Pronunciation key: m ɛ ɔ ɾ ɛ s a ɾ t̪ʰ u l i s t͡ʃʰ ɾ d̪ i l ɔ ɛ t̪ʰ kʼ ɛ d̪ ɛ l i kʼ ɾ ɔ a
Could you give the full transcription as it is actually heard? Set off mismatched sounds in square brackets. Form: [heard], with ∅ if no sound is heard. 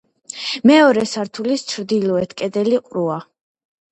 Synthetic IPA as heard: m ɛ ɔ ɾ ɛ s a ɾ t̪ʰ u l i s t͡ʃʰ ɾ d̪ i l ɔ ɛ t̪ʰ kʼ ɛ d̪ ɛ l i [qʼ] ɾ [u] a